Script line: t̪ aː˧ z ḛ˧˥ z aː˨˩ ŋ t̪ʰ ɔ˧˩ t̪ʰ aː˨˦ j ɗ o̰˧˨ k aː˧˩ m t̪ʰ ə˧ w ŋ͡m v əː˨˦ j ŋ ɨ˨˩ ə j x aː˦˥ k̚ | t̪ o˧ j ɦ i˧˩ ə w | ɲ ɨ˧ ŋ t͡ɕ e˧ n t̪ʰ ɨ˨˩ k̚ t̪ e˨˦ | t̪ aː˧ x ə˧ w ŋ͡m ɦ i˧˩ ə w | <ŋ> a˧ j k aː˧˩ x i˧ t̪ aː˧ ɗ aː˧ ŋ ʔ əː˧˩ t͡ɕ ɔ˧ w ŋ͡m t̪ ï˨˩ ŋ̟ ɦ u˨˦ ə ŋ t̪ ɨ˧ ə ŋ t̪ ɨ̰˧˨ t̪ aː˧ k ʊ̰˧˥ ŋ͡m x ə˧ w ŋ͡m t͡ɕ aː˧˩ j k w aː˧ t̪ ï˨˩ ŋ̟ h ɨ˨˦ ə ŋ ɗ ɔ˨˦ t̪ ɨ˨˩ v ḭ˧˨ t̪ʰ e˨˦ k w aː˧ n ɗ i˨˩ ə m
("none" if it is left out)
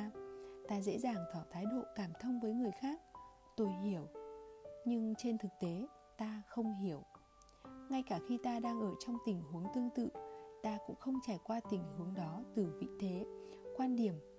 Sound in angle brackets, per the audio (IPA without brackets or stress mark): ŋ